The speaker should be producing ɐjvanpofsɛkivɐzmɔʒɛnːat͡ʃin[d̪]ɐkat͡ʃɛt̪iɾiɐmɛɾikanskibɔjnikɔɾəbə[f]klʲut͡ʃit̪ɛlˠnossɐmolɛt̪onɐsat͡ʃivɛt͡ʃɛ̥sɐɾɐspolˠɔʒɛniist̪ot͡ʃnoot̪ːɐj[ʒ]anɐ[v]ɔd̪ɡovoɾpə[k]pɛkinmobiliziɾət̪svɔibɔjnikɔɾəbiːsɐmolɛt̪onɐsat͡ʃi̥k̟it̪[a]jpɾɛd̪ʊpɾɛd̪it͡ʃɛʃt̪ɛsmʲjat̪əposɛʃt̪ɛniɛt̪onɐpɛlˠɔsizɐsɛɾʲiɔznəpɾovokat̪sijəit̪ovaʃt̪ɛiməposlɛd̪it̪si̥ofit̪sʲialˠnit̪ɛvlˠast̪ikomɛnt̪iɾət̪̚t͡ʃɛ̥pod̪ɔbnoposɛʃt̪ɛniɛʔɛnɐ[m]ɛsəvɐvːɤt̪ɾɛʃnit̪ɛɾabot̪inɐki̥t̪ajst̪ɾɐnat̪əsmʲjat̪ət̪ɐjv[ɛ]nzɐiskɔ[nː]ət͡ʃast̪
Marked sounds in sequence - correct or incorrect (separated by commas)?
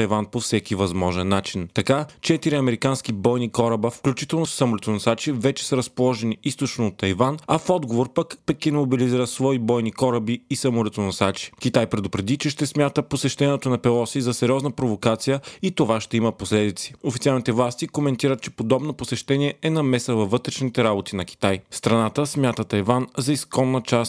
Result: incorrect, correct, incorrect, incorrect, correct, correct, correct, incorrect, correct